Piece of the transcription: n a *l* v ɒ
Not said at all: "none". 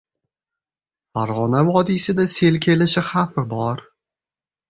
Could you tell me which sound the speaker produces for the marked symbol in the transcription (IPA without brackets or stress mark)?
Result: none